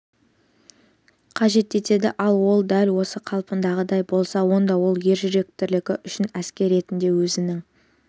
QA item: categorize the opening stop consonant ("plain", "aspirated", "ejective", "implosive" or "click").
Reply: aspirated